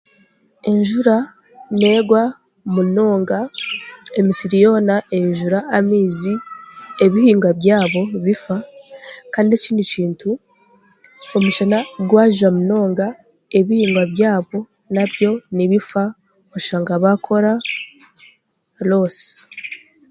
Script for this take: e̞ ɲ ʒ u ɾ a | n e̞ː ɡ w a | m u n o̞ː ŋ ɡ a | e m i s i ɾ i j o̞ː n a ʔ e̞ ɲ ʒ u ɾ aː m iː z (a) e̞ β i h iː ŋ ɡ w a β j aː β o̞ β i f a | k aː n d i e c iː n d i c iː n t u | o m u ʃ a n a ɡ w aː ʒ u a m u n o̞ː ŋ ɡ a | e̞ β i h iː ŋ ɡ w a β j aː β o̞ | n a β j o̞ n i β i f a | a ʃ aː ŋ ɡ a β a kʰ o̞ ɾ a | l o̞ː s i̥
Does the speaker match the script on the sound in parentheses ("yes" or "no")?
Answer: no